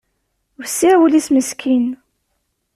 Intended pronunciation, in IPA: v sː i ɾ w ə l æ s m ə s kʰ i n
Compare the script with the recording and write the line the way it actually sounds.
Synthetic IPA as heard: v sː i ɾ w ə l i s m ə s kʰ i n